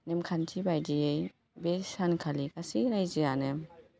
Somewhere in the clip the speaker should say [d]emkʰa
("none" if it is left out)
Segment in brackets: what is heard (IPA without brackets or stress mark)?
n